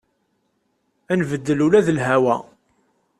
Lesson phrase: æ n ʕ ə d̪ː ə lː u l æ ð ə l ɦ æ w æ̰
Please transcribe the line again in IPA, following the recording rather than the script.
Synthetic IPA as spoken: æ n v ə d̪ː ə l u l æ ð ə l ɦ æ w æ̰